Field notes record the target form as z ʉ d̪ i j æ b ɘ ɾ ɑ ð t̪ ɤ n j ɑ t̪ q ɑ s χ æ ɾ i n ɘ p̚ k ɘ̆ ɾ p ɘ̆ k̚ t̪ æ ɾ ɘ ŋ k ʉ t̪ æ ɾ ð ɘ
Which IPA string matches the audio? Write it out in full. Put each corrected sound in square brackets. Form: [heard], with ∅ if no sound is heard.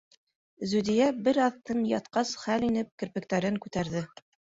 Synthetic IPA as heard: z ʉ d̪ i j æ b ɘ ɾ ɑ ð t̪ ɤ n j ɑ t̪ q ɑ s χ æ [l] i n ɘ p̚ k ɘ̆ ɾ p ɘ̆ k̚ t̪ æ ɾ ɘ ŋ k ʉ t̪ æ ɾ ð ɘ